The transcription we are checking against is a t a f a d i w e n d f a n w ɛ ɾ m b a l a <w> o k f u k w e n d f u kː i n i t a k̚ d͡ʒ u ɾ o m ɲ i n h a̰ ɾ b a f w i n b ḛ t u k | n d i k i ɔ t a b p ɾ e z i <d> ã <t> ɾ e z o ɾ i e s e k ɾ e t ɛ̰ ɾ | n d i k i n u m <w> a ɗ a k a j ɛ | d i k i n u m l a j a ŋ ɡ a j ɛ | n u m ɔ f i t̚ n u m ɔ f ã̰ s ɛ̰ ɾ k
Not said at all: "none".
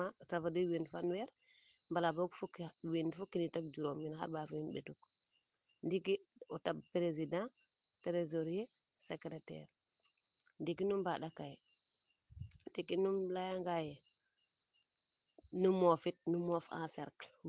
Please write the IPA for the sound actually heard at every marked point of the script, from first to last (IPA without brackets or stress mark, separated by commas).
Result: b, d, t, b